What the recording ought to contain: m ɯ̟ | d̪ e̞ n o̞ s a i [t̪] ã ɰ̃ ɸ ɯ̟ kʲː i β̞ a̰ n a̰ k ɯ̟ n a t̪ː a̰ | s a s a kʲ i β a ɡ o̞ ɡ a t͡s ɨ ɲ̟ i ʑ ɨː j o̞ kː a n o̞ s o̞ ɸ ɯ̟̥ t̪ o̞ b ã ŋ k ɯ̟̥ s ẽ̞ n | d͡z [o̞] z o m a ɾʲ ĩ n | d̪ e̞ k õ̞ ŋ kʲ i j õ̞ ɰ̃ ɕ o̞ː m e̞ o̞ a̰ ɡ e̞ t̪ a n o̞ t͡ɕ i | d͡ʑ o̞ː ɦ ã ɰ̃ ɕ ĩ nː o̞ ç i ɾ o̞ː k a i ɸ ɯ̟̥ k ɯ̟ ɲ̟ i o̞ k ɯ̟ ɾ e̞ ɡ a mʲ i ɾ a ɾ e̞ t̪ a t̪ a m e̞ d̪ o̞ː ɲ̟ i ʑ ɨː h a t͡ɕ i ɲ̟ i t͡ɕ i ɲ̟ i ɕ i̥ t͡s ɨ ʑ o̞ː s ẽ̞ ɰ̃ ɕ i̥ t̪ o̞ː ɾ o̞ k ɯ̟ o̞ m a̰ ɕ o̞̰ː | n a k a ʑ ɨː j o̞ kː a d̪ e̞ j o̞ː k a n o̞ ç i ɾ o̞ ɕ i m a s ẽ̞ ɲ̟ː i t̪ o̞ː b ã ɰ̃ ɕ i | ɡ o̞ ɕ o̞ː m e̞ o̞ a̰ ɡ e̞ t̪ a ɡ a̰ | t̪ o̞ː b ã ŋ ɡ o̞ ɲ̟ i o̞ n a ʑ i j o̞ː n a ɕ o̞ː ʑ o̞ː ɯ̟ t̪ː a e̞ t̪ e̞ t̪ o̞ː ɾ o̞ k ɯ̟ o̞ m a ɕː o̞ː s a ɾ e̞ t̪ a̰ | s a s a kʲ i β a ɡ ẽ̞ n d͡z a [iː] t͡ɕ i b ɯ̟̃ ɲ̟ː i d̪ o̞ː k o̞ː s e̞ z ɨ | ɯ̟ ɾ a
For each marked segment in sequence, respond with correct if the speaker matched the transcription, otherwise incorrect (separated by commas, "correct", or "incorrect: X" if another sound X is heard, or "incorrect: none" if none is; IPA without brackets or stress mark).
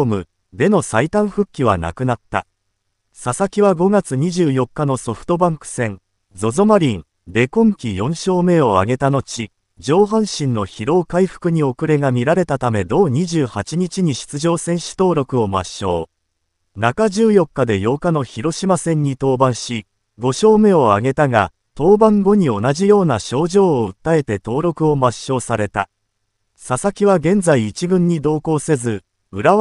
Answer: correct, correct, correct